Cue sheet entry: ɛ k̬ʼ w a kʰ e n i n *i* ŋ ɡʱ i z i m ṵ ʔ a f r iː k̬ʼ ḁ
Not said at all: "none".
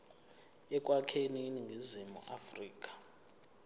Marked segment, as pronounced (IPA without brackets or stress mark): i